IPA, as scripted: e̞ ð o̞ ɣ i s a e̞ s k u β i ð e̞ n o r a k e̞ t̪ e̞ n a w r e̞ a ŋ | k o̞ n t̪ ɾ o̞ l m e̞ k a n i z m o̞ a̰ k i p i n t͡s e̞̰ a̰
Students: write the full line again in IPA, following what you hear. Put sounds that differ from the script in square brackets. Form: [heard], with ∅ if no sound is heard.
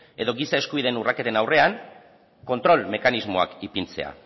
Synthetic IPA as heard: e̞ ð o̞ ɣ i s a e̞ s k u β i ð e̞ n [u] r a k e̞ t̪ e̞ n a w r e̞ a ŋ | k o̞ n t̪ ɾ o̞ l m e̞ k a n i z m o̞ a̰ k i p i n t͡s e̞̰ a̰